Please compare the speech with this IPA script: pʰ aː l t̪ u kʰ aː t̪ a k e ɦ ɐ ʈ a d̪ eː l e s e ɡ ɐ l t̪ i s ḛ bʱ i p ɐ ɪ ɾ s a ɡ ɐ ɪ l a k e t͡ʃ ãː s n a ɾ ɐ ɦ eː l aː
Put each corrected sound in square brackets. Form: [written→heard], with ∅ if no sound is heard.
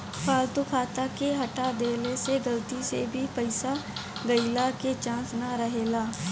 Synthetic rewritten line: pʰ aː l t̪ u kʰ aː t̪ a k e ɦ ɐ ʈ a d̪ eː l e s e ɡ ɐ l t̪ i s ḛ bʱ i p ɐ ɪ [ɾ→∅] s a ɡ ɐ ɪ l a k e t͡ʃ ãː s n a ɾ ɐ ɦ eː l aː